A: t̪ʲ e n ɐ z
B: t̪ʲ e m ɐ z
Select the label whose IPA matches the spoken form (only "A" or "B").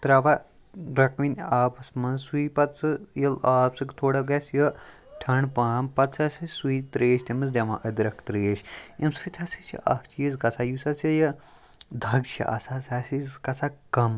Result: B